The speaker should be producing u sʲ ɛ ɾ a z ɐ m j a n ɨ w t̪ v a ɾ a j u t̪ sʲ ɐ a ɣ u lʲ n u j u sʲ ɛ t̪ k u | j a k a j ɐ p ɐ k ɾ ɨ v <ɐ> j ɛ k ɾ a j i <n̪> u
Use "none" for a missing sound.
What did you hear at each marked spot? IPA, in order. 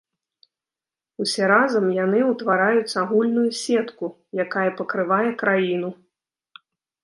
a, n̪

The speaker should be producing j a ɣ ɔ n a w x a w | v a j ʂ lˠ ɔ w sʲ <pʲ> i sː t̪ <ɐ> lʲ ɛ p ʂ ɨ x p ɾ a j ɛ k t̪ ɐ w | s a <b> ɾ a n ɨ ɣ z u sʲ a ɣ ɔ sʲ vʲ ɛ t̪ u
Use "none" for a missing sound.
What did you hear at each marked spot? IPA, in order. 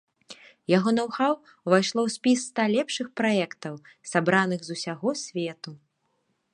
pʲ, a, b

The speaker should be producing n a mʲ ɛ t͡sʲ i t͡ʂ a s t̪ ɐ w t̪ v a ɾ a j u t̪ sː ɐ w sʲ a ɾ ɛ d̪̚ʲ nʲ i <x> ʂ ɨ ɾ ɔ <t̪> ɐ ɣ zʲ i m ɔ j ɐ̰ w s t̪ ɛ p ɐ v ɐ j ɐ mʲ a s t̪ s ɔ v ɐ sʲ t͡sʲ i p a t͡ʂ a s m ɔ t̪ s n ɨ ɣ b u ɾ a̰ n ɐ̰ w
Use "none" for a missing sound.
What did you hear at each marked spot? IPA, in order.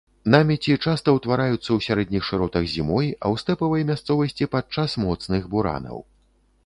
x, t̪

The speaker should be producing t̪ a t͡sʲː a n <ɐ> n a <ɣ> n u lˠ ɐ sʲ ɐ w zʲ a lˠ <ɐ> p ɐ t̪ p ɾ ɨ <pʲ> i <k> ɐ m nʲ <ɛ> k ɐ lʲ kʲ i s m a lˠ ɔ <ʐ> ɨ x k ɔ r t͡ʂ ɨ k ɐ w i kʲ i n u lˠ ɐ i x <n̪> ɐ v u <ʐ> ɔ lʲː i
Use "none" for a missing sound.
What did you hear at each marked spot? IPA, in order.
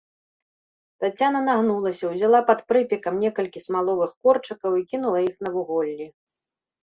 ɐ, ɣ, a, pʲ, k, ɛ, v, n̪, ɣ

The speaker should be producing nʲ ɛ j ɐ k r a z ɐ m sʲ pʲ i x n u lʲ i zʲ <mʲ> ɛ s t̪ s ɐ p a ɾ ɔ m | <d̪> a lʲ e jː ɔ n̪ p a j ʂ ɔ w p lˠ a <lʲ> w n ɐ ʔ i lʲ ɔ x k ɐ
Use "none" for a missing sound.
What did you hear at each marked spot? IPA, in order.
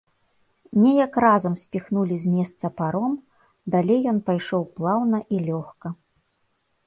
mʲ, d̪, none

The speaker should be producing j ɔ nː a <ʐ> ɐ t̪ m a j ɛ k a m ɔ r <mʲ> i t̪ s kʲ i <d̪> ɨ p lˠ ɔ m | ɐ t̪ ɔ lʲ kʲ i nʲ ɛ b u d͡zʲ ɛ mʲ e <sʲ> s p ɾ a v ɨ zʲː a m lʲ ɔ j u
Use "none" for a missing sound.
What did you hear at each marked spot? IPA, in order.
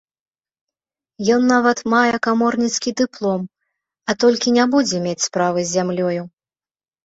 v, nʲ, d̪, t͡sʲ

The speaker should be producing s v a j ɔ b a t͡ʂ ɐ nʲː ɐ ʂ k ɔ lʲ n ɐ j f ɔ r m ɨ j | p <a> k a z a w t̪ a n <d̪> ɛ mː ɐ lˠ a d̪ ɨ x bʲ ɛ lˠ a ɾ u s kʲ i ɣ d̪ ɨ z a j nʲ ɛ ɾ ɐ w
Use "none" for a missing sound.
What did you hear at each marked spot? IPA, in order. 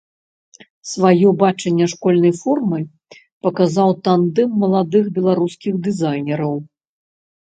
ɐ, d̪

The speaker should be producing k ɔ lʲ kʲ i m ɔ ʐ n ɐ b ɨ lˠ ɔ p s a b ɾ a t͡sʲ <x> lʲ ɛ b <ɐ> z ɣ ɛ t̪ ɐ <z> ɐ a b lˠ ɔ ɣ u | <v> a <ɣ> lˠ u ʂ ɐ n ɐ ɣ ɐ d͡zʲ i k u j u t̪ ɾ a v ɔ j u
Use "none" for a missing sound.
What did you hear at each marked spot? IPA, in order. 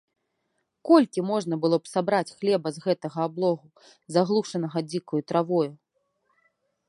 x, ɐ, ɣ, z, ɣ

